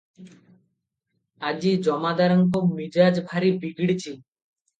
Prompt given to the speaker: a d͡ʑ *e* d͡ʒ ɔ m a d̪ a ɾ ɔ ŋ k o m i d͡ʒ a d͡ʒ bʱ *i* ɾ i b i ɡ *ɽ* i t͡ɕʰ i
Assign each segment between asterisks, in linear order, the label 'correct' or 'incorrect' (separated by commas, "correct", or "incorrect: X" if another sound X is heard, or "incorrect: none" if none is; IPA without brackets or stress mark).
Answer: incorrect: i, incorrect: a, correct